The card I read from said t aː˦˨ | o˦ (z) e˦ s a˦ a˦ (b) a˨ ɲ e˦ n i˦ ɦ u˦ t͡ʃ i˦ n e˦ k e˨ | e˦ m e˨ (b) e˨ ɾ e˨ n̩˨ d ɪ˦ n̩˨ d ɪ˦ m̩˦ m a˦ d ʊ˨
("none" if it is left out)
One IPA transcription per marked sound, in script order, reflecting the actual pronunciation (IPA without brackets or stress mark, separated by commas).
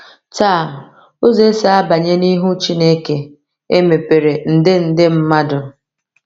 z, b, p